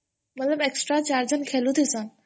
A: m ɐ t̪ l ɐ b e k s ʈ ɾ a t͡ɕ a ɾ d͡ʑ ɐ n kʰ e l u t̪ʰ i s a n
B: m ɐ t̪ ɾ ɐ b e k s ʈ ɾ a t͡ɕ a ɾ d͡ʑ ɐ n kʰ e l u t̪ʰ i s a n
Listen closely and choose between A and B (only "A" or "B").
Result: A